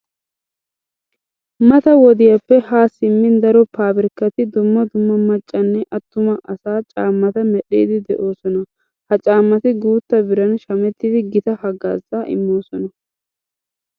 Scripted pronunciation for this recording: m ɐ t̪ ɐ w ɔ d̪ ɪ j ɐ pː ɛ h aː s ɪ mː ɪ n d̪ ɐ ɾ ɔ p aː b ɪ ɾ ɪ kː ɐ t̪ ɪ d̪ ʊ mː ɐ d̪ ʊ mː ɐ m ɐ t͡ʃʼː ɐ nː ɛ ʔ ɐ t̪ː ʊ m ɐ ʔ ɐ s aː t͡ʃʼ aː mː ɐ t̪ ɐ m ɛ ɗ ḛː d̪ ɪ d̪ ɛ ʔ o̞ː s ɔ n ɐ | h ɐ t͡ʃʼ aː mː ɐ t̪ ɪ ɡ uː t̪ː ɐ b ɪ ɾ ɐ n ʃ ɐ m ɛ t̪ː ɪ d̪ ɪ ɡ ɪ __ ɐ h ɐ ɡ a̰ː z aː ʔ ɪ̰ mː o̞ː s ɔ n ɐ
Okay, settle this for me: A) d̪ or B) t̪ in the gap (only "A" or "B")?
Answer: B